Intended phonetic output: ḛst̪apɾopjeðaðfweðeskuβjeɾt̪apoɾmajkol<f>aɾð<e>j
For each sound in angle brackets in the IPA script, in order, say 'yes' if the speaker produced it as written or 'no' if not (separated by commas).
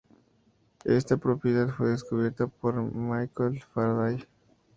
yes, no